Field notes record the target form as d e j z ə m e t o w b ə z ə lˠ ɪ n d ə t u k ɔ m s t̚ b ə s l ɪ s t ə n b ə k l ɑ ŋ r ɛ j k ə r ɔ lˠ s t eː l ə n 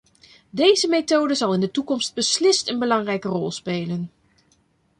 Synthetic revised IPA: d e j z ə m e t o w d ə z ɑ lˠ ɪ n d ə t u k ɔ m s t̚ b ə s l ɪ s t ə n b ə l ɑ ŋ r ɛ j k ə r ɔ lˠ s p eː l ə n